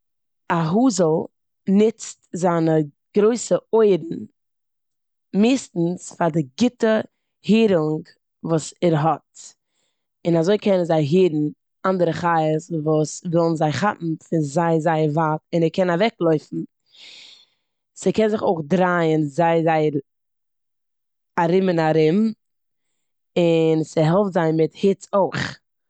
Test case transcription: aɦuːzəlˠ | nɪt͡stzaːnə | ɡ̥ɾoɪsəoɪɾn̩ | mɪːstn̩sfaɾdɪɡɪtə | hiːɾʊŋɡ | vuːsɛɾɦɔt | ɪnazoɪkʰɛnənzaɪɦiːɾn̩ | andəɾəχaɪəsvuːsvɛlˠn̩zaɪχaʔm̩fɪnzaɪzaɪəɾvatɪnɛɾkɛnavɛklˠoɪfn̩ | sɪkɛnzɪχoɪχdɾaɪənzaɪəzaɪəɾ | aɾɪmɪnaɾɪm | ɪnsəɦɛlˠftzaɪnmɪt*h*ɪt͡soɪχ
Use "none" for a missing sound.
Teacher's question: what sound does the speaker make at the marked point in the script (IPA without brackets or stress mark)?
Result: h